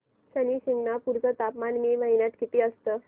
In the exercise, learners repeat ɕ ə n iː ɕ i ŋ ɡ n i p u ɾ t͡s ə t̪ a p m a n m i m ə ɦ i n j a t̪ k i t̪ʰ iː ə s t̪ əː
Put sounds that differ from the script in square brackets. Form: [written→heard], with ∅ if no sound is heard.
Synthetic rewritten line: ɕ ə n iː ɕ i ŋ ɡ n [i→a] p u ɾ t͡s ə t̪ a p m a n m i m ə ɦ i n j a t̪ k i [t̪ʰ→t̪] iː ə s t̪ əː